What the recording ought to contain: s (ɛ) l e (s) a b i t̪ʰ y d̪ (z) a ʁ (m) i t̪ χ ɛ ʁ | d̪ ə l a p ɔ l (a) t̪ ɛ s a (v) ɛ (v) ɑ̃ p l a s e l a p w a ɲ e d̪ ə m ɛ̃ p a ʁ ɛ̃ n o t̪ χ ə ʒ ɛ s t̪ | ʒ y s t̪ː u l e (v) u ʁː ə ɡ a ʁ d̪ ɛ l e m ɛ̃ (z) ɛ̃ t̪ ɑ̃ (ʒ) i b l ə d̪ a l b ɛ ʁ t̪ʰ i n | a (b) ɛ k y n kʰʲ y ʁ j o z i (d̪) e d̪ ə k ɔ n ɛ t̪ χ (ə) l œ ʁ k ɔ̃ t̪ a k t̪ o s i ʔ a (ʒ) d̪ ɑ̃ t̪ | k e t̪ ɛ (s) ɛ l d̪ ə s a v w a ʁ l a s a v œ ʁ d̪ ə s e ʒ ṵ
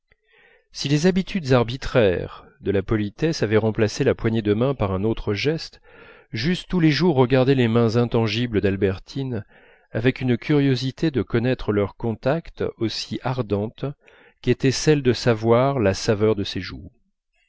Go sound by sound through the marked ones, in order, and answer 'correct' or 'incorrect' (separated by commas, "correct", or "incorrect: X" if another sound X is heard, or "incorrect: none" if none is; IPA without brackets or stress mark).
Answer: incorrect: i, incorrect: z, correct, incorrect: b, incorrect: i, correct, incorrect: ʁ, incorrect: ʒ, correct, correct, incorrect: v, incorrect: t̪, correct, incorrect: ʁ, correct